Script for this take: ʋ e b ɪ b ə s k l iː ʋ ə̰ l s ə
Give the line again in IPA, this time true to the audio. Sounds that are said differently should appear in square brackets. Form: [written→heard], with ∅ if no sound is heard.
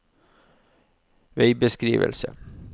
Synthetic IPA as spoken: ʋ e [b→∅] ɪ b ə s k [l→ɾ] iː ʋ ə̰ l s ə